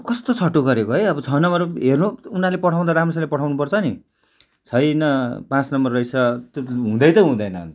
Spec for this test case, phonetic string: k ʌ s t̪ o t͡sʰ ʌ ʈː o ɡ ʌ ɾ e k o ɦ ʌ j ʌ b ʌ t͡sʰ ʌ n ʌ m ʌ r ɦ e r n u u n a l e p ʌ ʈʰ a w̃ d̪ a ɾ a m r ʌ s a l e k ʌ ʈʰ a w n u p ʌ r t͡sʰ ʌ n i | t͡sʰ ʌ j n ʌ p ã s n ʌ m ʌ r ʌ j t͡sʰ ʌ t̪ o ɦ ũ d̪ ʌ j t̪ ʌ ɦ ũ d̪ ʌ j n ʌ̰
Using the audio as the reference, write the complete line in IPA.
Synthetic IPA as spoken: k ʌ s t̪ o t͡sʰ ʌ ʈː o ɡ ʌ ɾ e k o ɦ ʌ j ʌ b ʌ t͡sʰ ʌ n ʌ m ʌ r ɦ e r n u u n a l e p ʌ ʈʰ a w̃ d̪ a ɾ a m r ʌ s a l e p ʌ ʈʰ a w n u p ʌ r t͡sʰ ʌ n i | t͡sʰ ʌ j n ʌ p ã t͡s n ʌ m ʌ r ʌ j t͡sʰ ʌ t̪ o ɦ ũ d̪ ʌ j t̪ ʌ ɦ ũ d̪ ʌ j n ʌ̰

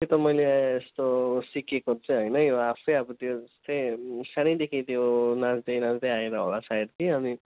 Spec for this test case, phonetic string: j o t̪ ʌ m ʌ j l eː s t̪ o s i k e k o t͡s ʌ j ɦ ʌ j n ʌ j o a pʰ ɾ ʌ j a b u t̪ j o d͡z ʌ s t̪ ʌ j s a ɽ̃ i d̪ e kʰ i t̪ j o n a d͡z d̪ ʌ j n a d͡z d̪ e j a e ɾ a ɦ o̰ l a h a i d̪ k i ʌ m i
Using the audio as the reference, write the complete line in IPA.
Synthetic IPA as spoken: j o t̪ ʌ m ʌ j l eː s t̪ o s i k e k o t͡s ʌ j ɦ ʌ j n ʌ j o a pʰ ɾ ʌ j a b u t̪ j o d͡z ʌ s t̪ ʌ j s a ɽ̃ i d̪ e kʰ i t̪ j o n a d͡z d̪ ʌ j n a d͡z d̪ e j a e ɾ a ɦ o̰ l a s a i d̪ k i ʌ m i

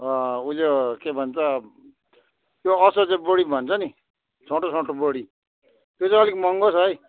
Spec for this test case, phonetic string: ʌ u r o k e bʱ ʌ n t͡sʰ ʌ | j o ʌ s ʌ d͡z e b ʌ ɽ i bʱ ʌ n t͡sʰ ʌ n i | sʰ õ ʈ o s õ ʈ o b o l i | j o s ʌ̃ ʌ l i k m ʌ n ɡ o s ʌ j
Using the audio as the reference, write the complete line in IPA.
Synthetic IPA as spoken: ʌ u l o k e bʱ ʌ n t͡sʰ ʌ | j o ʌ s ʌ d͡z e b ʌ ɽ i bʱ ʌ n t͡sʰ ʌ n i | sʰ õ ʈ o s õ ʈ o b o ɽ i | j o t͡s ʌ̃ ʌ l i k m ʌ ŋ ɡ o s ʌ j

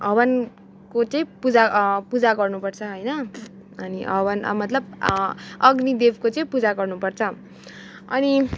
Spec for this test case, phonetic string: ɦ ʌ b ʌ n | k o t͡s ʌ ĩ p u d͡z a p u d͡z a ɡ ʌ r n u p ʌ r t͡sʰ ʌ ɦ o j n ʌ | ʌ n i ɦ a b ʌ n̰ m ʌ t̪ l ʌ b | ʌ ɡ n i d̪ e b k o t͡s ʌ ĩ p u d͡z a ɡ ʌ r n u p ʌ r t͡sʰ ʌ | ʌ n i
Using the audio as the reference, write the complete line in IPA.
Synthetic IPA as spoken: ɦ ʌ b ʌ n | k o t͡s ʌ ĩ p u d͡z a p u d͡z a ɡ ʌ r n u p ʌ r t͡sʰ ʌ ɦ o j n ʌ | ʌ n i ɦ ʌ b ʌ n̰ m ʌ t̪ l ʌ b | ʌ ɡ n i d̪ e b k o t͡s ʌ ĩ p u d͡z a ɡ ʌ r n u p ʌ r t͡sʰ ʌ | ʌ n i

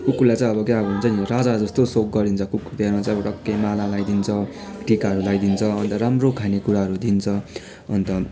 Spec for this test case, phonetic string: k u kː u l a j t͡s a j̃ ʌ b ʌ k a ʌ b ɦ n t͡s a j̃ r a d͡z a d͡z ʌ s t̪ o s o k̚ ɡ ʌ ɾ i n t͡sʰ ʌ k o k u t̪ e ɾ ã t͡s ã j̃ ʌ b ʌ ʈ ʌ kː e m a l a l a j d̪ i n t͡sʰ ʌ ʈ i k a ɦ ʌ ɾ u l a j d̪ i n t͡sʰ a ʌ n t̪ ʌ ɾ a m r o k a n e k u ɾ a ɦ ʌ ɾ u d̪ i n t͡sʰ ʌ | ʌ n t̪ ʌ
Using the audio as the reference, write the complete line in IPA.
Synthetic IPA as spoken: k u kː u l a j t͡s a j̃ ʌ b ʌ k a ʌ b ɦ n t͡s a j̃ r a d͡z a d͡z ʌ s t̪ o s o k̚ ɡ ʌ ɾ i n t͡sʰ ʌ k u k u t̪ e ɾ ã t͡s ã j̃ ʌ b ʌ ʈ ʌ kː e m a l a l a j d̪ i n t͡sʰ ʌ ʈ i k a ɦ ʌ ɾ u l a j d̪ i n t͡sʰ ʌ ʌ n t̪ ʌ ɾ a m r o kʰ a n e k u ɾ a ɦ ʌ ɾ u d̪ i n t͡sʰ ʌ | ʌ n t̪ ʌ

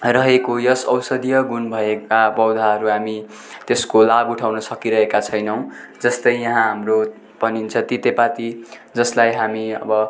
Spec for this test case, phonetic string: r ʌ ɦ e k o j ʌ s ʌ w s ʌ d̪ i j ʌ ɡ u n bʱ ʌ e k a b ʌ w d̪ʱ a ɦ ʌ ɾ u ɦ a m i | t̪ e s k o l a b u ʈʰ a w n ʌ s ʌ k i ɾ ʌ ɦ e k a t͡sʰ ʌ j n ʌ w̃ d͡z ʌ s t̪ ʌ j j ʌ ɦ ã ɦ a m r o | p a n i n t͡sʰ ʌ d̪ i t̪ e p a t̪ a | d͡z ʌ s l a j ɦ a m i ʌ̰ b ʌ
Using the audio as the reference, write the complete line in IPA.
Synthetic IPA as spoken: r ʌ ɦ e k o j ʌ s ʌ w s ʌ d̪ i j ʌ ɡ u n bʱ ʌ e k a b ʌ w d̪ʱ a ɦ ʌ ɾ u ɦ a m i | t̪ e s k o l a b u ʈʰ a w n ʌ s ʌ k i ɾ ʌ ɦ e k a t͡sʰ ʌ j n ʌ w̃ d͡z ʌ s t̪ ʌ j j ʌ ɦ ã ɦ a m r o | p ʌ n i n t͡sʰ ʌ t̪ i t̪ e p a t̪ i | d͡z ʌ s l a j ɦ a m i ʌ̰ b ʌ

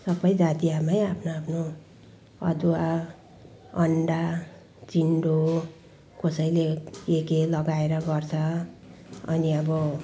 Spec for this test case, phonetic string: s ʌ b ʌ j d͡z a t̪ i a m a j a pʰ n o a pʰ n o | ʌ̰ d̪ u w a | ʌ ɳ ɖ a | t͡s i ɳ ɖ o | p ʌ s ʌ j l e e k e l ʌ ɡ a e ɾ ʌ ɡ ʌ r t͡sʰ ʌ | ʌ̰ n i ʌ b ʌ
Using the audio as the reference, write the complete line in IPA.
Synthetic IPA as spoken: s ʌ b ʌ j d͡z a t̪ i a m a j a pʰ n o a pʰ n o | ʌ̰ d̪ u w a | ʌ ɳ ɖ a | t͡s i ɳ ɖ o | k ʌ s ʌ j l e e k e l ʌ ɡ a e ɾ ʌ ɡ ʌ r t͡sʰ ʌ | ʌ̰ n i ʌ b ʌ

